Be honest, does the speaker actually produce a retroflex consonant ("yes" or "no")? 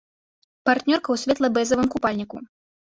no